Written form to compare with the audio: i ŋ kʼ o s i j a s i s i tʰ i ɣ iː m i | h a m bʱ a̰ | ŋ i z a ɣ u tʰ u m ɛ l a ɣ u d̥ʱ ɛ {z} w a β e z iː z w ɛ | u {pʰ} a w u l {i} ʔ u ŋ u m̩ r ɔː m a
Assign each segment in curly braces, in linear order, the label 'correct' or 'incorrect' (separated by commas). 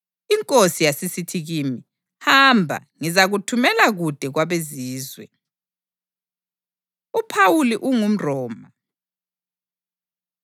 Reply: incorrect, correct, correct